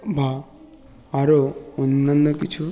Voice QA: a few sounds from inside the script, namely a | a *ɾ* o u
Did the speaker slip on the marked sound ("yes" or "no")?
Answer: no